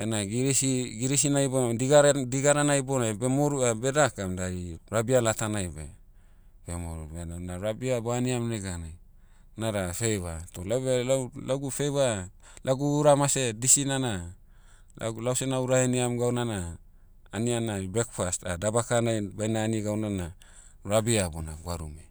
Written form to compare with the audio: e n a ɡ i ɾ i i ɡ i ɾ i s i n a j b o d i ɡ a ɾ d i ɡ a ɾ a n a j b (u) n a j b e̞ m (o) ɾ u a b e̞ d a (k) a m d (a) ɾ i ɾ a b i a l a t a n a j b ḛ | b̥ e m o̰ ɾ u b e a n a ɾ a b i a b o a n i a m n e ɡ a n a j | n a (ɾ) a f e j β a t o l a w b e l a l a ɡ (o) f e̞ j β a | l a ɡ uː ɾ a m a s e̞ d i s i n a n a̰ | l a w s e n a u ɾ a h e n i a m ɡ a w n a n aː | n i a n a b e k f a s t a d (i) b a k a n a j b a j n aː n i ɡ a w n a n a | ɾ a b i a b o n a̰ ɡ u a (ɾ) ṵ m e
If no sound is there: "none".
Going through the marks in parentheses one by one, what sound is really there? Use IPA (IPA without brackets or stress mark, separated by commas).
o, o, k, a, ɾ, u, a, ɾ